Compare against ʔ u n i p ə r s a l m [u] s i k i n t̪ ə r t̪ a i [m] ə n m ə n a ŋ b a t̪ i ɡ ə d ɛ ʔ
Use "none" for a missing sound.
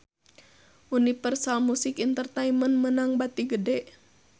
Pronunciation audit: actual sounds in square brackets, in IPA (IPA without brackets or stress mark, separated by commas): u, m